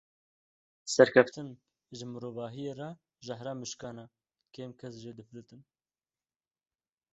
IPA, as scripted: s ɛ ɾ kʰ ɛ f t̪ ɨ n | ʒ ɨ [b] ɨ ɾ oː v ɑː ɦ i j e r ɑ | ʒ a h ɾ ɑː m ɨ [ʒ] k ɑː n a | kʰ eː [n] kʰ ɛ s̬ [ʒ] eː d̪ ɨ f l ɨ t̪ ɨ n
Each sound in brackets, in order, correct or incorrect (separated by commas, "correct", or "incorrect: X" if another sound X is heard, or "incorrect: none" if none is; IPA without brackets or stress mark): incorrect: m, incorrect: ʃ, incorrect: m, correct